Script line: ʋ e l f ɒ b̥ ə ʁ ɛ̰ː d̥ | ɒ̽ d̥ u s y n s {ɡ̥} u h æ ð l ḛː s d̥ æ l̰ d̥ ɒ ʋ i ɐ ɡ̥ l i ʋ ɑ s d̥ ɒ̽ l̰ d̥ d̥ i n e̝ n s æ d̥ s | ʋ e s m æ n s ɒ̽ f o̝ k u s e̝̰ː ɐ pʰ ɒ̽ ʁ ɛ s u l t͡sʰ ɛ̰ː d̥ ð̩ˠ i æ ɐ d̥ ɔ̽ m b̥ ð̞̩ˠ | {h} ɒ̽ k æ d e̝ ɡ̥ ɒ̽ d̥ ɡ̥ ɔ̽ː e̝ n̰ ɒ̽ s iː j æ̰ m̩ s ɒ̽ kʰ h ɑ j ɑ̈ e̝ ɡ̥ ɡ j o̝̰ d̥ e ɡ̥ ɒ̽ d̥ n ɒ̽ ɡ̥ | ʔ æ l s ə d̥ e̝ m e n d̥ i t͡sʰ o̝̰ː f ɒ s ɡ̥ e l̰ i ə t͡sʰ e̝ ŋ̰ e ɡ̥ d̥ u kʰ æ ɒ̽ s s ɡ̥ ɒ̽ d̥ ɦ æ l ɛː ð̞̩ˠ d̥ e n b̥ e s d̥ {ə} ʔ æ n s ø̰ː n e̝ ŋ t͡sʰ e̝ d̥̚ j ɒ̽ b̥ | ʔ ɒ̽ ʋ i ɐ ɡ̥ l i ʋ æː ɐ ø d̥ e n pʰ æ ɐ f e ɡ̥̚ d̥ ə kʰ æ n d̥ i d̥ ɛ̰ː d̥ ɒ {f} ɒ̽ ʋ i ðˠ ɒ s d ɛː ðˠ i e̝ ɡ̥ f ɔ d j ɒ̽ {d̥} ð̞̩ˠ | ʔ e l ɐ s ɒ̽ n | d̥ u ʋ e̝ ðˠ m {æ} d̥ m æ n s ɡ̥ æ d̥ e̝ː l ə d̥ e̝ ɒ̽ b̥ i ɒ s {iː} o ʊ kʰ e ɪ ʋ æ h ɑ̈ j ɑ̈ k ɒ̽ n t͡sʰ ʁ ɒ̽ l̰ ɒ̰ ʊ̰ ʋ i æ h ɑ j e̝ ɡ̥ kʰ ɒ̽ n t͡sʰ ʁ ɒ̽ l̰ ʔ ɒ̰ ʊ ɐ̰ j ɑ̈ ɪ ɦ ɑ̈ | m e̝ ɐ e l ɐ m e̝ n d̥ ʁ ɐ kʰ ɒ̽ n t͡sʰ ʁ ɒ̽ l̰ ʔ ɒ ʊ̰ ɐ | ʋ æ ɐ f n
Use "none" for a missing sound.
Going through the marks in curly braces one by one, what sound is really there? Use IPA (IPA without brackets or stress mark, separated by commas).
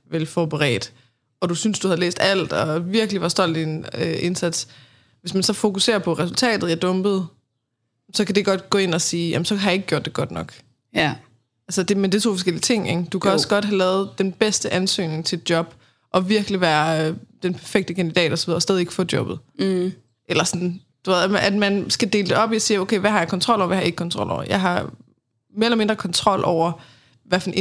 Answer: d̥, s, ə, s, b̥, æ, iː